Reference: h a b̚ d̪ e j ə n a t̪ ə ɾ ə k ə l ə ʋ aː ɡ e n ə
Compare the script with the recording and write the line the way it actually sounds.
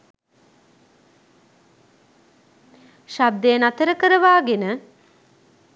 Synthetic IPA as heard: ʃ a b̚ d̪ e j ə n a t̪ ə ɾ ə k ə ɾ ə ʋ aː ɡ e n ə